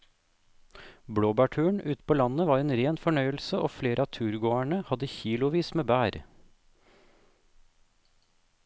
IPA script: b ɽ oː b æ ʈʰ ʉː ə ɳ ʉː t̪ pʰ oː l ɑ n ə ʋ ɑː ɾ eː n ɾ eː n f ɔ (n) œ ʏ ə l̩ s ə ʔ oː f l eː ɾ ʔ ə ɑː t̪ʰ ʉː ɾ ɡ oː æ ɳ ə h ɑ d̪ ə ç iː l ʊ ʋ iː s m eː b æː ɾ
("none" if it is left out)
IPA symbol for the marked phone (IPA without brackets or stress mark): ɳ